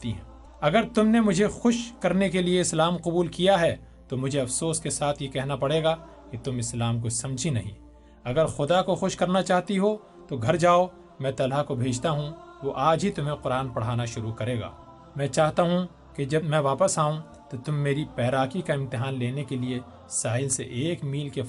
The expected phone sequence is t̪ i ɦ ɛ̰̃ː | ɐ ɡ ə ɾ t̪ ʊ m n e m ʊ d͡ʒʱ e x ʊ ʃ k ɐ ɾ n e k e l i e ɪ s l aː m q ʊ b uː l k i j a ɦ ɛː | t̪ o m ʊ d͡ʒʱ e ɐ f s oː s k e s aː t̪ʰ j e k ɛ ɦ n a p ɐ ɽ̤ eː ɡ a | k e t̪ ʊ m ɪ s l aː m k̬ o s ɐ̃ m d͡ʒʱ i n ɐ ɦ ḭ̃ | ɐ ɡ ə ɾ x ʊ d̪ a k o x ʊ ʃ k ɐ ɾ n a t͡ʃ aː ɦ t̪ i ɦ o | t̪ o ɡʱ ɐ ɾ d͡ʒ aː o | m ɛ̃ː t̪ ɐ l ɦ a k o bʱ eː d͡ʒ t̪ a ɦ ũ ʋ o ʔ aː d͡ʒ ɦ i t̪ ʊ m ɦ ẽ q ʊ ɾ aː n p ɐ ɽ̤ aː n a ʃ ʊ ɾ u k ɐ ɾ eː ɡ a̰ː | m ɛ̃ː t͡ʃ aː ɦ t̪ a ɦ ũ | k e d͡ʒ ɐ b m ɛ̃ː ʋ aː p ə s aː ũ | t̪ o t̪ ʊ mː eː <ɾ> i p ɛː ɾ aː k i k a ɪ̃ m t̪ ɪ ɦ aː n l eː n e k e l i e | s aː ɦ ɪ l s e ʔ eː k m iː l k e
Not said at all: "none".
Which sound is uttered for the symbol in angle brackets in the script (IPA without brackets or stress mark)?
ɾ